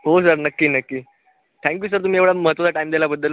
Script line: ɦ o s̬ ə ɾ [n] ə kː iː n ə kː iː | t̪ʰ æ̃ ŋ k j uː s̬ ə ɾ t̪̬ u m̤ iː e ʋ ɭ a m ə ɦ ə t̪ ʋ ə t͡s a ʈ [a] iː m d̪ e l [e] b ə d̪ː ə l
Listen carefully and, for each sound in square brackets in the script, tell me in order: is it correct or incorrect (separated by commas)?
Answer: correct, correct, incorrect